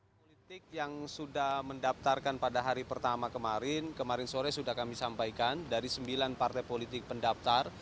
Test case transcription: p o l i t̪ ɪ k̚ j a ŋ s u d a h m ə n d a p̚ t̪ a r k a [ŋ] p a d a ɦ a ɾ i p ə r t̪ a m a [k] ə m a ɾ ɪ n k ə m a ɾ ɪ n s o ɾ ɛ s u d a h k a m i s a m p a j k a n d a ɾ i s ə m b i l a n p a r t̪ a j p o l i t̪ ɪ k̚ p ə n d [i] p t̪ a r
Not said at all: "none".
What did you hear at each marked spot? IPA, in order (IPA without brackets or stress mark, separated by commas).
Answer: n, k, a